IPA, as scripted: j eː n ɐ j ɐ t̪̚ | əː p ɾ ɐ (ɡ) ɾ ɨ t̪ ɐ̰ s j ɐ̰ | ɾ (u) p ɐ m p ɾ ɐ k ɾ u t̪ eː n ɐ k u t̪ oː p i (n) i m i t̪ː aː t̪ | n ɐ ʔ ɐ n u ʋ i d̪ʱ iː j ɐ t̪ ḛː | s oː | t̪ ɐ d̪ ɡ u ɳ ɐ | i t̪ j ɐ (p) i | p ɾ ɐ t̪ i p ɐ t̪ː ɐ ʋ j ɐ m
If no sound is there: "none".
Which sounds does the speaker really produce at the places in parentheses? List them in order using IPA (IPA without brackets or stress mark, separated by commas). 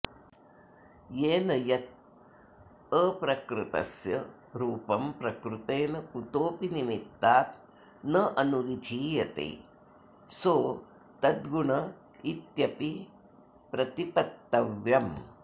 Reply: k, uː, n, p